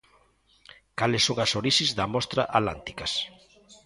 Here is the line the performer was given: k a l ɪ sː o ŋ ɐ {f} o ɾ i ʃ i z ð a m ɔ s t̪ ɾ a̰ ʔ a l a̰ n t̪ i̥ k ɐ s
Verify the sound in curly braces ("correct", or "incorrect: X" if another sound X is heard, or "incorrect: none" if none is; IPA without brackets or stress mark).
incorrect: s